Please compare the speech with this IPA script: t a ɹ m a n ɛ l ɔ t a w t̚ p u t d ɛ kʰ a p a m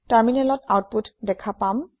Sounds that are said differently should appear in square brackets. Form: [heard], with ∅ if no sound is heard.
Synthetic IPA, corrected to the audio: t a ɹ m [i] n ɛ l ɔ t a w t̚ p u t d ɛ kʰ a p a m

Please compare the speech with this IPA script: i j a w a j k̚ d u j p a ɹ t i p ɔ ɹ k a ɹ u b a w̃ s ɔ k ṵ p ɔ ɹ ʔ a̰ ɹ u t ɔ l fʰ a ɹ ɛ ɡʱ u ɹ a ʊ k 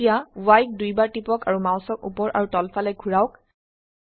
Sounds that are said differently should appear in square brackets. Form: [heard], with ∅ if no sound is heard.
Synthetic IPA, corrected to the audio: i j a w a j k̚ d u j [b] a ɹ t i p ɔ [∅] k a ɹ u [m] a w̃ s ɔ k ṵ p ɔ ɹ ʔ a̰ ɹ u t ɔ l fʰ a [l] ɛ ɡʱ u ɹ a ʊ k

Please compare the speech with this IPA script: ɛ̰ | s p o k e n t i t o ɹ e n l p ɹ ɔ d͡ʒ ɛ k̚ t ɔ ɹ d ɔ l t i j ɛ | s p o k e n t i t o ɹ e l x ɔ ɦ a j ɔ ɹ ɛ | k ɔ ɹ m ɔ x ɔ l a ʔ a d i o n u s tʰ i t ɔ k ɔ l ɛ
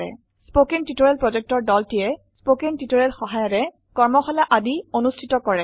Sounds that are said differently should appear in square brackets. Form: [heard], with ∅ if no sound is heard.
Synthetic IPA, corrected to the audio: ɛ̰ | s p o k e n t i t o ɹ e [∅] l p ɹ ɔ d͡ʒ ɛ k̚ t ɔ ɹ d ɔ l t i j ɛ | s p o k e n t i t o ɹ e l x ɔ ɦ a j ɔ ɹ ɛ | k ɔ ɹ m ɔ x ɔ l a ʔ a d i o n u s tʰ i t ɔ k ɔ [ɹ] ɛ

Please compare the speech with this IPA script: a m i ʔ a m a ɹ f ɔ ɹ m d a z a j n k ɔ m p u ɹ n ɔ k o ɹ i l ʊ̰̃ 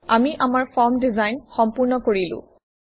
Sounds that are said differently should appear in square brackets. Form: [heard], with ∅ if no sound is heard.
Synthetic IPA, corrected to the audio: a m i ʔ a m a ɹ f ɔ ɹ m d [i] z a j n [x] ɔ m p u ɹ n ɔ k o ɹ i l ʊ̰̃

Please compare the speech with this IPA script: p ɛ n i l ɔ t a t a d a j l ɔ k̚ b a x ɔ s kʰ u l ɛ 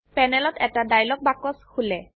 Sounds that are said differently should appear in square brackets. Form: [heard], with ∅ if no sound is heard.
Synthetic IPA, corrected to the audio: p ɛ n [ɛ] l ɔ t [ɛ] t a d a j l ɔ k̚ b a [k] ɔ s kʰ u l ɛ

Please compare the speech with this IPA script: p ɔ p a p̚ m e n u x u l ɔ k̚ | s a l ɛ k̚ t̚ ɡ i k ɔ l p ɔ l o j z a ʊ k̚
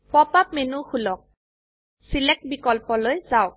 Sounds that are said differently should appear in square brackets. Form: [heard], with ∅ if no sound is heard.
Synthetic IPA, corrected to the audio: p ɔ p a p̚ m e n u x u l ɔ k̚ | s [i] l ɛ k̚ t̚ [b] i k ɔ l p ɔ l o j z a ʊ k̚

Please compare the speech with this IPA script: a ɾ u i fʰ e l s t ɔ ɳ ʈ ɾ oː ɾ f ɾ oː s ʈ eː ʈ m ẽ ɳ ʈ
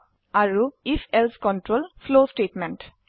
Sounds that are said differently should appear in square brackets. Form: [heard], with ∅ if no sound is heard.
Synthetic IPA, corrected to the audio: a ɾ u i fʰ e l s [k] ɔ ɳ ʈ ɾ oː [l] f [l] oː s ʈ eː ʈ m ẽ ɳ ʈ

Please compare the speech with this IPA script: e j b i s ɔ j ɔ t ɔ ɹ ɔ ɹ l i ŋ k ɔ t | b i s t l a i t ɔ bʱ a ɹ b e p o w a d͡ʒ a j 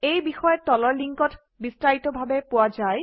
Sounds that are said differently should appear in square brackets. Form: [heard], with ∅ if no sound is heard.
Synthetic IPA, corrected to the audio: e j b i [x] ɔ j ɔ t ɔ [l] ɔ ɹ l i ŋ k ɔ t | b i s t [ɹ] a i t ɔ bʱ a [∅] b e p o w a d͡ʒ a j

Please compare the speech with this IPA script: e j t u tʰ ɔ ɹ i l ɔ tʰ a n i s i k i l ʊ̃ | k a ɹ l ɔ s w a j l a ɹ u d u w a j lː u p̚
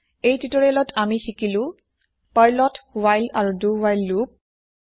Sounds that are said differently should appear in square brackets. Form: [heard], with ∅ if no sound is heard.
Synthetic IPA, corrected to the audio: e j t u [t] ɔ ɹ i l ɔ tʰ a [m] i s i k i l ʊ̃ | [p] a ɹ l ɔ [t] w a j l a ɹ u d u w a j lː u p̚

